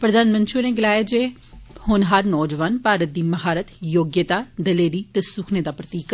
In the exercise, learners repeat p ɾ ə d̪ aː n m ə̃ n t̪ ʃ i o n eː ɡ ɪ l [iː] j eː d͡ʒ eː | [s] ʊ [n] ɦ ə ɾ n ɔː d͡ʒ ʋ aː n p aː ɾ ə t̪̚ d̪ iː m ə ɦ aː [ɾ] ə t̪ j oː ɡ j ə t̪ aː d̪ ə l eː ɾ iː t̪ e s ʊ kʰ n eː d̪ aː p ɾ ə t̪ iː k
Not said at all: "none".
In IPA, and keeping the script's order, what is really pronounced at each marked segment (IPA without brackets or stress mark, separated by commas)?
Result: aː, h, n, ɾ